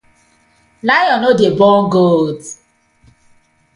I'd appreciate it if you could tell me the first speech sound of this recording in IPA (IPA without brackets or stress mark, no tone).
l